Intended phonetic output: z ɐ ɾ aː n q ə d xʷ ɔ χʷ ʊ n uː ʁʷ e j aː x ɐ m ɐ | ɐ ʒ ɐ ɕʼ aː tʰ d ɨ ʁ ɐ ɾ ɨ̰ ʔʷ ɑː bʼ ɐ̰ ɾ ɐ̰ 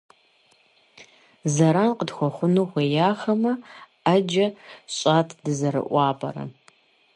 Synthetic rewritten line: z ɐ ɾ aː n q ə d xʷ ɔ χʷ ʊ n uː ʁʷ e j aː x ɐ m ɐ | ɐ d͡ʒ ɐ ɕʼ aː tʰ d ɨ z ɐ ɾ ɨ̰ ʔʷ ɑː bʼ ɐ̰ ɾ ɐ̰